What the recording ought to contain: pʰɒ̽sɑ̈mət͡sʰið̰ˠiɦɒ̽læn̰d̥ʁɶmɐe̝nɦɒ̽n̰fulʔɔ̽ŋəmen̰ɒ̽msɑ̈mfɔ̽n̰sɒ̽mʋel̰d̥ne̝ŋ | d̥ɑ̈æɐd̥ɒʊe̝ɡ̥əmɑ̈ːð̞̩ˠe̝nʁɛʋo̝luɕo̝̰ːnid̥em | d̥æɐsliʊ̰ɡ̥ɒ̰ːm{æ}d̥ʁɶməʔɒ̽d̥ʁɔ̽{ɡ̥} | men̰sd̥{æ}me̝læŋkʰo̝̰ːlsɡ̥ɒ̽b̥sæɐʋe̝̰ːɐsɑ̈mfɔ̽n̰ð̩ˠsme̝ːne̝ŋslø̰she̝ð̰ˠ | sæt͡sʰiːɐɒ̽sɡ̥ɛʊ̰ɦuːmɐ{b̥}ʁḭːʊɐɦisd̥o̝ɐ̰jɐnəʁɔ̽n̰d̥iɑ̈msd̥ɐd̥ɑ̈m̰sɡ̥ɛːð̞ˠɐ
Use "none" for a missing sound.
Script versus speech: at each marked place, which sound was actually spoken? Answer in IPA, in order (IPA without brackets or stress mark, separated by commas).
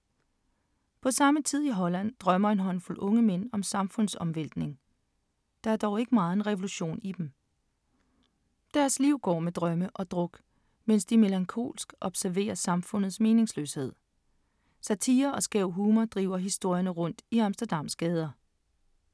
e, ɡ̥, i, d̥